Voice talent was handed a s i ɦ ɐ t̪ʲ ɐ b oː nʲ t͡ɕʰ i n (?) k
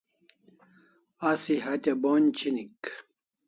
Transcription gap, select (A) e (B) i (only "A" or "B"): B